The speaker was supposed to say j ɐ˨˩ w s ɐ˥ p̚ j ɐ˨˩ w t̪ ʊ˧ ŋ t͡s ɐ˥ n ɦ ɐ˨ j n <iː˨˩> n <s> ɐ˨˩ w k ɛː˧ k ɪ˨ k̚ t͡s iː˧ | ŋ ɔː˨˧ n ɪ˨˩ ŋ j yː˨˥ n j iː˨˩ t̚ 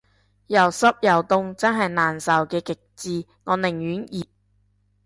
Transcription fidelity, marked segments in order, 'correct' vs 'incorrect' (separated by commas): incorrect, correct